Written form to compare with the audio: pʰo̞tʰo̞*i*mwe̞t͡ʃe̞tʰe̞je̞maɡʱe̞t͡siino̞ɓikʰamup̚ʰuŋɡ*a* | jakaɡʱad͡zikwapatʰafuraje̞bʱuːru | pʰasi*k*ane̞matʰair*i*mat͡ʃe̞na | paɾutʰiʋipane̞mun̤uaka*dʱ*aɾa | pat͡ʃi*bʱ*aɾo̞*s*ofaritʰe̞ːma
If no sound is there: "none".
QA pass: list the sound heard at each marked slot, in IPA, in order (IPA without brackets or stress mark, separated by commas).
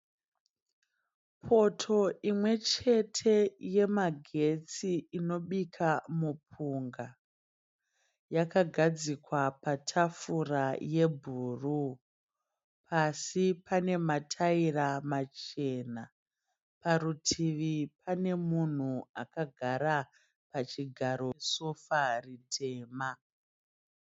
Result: i, a, p, a, ɡʱ, ɡʱ, s